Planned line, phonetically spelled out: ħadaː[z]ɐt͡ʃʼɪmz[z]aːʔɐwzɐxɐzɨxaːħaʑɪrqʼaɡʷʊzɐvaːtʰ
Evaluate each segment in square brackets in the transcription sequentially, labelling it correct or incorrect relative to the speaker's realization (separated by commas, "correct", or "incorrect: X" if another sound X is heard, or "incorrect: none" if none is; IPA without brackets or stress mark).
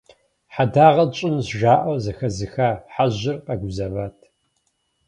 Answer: incorrect: ʁ, incorrect: ʒ